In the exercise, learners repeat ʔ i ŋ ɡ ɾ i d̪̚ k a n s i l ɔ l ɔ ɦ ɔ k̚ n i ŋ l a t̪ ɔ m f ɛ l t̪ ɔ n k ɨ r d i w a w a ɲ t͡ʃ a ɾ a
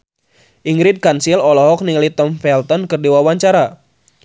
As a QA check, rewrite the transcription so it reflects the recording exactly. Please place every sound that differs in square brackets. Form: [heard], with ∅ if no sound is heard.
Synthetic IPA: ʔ i ŋ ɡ ɾ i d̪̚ k a n s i l ɔ l ɔ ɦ ɔ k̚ n i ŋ l [i] t̪ ɔ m f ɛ l t̪ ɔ n k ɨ r d i w a w a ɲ t͡ʃ a ɾ a